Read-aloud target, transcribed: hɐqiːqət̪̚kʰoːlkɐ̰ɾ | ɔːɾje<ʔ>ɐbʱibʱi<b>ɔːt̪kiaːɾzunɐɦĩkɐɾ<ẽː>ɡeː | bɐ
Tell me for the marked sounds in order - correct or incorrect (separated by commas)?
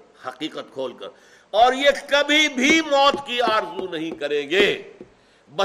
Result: incorrect, incorrect, correct